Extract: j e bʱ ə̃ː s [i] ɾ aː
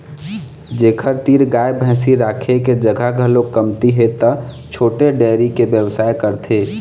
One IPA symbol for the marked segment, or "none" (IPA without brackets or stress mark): i